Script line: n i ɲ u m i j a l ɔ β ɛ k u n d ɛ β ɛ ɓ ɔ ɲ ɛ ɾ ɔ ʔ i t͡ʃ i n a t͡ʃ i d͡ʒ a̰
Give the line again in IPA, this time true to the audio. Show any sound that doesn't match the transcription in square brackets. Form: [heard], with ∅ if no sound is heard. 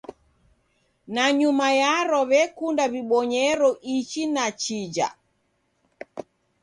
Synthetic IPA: n [a] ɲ u m [a] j a [ɾ] ɔ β ɛ k u n d [a] β [i] ɓ ɔ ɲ ɛ ɾ ɔ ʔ i t͡ʃ i n a t͡ʃ i d͡ʒ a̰